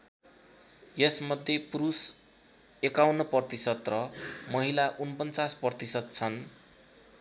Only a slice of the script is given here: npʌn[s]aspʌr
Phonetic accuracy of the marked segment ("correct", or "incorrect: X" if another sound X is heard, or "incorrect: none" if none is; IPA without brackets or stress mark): incorrect: t͡s